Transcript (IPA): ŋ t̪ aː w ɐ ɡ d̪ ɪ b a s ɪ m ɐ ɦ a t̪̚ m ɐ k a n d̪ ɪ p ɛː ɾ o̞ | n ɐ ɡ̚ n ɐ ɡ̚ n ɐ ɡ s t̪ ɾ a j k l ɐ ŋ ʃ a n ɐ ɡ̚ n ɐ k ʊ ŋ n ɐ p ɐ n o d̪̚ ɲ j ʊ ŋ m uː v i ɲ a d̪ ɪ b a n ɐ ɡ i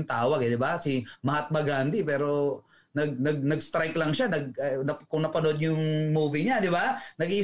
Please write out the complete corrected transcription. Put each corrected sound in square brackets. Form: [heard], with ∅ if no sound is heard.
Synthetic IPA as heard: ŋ t̪ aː w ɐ ɡ d̪ ɪ b a s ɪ m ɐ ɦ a t̪̚ m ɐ [ɡ] a n d̪ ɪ p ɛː ɾ o̞ | n ɐ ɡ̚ n ɐ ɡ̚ n ɐ ɡ s t̪ ɾ a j k l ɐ ŋ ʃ a n ɐ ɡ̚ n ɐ k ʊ ŋ n ɐ p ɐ n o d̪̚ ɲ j ʊ ŋ m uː v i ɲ a d̪ ɪ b a n ɐ ɡ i